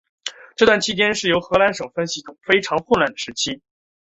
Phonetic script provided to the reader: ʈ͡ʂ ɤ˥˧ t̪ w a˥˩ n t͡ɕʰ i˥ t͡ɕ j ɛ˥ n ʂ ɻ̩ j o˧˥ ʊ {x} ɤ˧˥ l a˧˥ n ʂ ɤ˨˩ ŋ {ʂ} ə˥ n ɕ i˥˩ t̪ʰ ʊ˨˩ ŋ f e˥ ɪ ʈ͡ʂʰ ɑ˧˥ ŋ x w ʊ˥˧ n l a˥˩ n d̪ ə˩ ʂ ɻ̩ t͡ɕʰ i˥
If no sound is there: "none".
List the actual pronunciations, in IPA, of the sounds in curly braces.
x, f

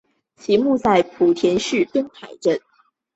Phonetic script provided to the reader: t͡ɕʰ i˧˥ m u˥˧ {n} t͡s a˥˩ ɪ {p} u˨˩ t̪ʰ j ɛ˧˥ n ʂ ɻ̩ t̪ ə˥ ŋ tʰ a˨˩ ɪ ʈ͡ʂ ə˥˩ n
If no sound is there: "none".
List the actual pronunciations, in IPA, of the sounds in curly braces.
none, pʰ

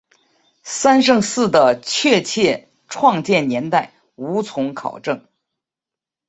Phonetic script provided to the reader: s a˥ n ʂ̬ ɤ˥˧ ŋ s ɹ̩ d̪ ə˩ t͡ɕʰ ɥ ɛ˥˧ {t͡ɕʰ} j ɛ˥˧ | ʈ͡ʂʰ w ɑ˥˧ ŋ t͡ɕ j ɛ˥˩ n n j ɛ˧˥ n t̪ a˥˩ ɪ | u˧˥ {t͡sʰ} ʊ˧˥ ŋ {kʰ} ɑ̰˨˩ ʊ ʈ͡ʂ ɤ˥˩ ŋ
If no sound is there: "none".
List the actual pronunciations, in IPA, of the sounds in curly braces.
t͡ɕʰ, t͡sʰ, kʰ

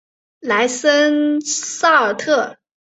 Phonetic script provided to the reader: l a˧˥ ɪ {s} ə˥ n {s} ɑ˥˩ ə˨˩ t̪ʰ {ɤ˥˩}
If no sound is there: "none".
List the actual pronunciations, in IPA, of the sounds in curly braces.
s, s, ɤ˥˩

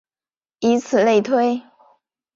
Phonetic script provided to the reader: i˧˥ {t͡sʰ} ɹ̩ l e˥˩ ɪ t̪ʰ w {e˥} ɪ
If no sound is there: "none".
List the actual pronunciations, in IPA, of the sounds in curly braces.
t͡sʰ, e˥

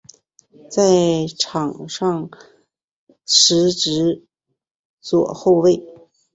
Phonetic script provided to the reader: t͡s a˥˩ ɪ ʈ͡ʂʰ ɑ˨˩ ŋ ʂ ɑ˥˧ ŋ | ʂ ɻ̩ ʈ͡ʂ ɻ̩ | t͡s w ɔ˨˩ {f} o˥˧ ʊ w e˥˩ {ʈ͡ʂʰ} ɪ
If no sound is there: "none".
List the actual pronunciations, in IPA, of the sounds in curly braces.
x, none

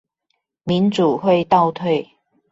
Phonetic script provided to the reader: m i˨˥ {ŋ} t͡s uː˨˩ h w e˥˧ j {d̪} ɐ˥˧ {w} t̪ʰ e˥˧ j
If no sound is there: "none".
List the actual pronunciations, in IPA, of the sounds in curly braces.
n, t̪, w

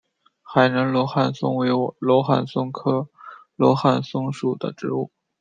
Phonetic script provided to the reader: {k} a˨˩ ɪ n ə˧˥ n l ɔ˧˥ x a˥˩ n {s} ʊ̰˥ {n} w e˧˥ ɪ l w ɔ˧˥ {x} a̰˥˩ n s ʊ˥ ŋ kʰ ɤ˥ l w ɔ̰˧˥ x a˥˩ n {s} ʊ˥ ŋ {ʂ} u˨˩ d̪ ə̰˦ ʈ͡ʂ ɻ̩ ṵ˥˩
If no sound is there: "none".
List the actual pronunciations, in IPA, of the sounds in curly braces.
x, s, ŋ, x, s, ʂ

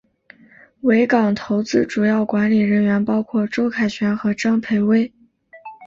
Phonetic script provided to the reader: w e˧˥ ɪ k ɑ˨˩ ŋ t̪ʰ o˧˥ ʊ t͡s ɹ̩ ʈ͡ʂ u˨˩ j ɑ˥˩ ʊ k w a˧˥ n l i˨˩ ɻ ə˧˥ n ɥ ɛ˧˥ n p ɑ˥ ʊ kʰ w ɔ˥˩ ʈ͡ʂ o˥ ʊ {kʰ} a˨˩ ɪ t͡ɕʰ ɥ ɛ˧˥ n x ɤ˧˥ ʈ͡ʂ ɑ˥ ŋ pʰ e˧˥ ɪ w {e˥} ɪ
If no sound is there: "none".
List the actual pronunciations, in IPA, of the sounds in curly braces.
kʰ, e˥

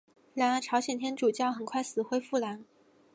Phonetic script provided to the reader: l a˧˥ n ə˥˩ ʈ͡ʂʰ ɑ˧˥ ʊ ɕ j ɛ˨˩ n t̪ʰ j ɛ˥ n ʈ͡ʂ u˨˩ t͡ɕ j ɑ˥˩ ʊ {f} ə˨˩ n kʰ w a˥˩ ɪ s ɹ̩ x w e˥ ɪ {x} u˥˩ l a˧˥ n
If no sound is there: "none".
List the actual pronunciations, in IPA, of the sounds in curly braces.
x, f

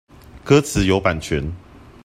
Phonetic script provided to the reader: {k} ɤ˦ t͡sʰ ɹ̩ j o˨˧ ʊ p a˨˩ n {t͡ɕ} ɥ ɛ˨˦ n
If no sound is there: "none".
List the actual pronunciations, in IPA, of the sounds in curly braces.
k, t͡ɕʰ

